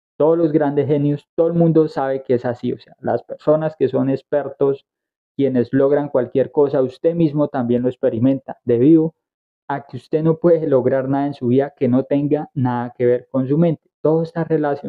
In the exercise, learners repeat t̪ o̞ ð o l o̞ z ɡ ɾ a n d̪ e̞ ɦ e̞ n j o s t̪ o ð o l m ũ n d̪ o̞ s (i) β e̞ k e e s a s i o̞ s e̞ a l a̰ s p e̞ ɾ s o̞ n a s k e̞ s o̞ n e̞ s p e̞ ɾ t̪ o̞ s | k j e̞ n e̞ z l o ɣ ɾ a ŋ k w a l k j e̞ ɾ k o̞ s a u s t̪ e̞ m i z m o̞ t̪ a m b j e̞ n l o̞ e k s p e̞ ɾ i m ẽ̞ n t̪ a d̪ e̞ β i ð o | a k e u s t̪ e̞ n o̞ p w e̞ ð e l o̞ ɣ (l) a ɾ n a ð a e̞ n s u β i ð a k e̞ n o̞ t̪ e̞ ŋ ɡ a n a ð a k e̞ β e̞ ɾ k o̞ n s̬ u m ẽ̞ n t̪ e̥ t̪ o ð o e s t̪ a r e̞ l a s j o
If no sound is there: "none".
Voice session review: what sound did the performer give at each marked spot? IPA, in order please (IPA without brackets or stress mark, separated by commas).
a, ɾ